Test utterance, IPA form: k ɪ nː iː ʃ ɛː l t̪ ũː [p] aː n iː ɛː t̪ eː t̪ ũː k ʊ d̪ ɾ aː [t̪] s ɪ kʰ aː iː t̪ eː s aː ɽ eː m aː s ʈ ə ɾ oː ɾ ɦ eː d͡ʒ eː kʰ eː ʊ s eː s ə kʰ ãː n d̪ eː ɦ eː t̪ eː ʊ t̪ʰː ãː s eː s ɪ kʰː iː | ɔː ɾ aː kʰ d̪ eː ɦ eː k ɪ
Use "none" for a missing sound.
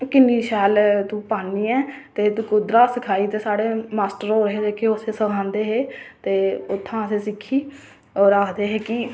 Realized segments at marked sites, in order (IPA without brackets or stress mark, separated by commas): p, none